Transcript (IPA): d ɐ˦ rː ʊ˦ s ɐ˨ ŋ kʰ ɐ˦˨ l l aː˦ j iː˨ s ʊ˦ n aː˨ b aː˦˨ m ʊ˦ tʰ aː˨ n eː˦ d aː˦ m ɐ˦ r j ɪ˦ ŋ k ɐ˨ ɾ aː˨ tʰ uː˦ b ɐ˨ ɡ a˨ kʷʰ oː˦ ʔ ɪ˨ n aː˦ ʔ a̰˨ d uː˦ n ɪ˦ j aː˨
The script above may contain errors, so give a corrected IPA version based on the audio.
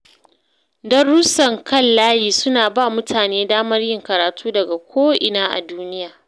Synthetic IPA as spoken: d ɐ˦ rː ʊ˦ s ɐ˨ ŋ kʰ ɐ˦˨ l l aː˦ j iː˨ s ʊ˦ n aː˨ b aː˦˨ m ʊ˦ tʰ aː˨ n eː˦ d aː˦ m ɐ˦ r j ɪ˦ ŋ k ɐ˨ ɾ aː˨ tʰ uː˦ d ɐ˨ ɡ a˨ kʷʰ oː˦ ʔ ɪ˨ n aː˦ ʔ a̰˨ d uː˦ n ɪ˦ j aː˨